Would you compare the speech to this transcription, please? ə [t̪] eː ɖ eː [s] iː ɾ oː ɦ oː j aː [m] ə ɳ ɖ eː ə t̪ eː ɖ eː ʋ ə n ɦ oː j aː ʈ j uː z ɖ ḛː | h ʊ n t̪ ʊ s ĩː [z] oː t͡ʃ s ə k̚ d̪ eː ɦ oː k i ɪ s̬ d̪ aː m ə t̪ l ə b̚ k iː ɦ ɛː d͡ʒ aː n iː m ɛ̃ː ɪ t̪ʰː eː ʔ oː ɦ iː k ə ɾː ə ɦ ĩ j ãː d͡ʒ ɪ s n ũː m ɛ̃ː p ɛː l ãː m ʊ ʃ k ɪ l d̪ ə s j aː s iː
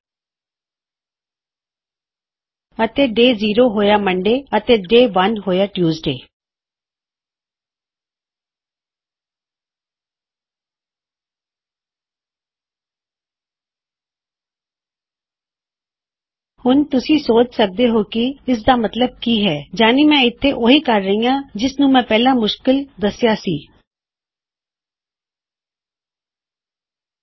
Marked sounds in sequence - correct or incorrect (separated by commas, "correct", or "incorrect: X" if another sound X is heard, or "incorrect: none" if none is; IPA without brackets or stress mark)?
correct, incorrect: z, correct, incorrect: s